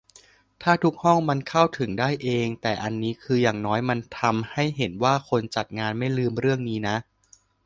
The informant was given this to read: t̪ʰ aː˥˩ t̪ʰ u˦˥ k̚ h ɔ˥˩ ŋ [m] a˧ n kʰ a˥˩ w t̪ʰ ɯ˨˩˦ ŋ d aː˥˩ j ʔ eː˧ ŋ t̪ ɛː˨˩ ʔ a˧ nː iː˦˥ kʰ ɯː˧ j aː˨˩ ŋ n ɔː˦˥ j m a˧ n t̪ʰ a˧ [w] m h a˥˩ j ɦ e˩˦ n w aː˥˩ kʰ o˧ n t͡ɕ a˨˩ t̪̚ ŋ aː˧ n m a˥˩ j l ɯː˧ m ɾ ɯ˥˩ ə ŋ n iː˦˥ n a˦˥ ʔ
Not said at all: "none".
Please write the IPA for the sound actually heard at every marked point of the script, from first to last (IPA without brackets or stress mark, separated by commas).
m, none